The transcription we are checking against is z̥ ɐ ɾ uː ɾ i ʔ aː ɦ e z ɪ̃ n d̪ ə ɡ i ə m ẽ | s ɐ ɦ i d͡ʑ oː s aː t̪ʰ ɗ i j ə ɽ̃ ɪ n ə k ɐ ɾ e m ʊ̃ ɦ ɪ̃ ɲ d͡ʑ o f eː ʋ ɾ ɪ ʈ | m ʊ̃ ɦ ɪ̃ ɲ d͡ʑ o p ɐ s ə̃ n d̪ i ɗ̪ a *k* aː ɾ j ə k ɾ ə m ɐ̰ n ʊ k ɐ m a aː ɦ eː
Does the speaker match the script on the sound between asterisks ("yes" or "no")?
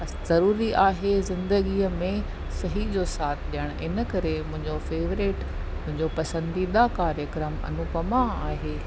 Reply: yes